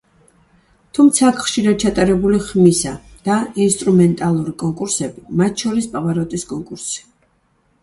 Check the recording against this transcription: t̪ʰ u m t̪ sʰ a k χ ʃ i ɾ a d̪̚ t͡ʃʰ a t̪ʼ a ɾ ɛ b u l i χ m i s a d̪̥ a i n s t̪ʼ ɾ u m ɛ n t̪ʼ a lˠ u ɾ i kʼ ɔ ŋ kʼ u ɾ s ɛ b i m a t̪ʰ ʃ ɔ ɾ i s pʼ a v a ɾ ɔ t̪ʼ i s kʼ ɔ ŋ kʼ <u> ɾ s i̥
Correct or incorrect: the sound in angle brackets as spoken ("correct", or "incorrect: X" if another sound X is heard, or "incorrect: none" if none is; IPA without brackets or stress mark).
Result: correct